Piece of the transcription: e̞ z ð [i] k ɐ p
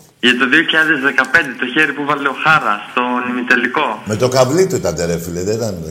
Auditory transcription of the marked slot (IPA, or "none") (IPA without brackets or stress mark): e